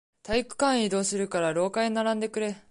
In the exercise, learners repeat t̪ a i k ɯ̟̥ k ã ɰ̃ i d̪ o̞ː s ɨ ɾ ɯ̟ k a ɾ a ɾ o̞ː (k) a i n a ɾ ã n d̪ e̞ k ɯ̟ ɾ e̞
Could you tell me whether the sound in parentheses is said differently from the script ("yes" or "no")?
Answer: no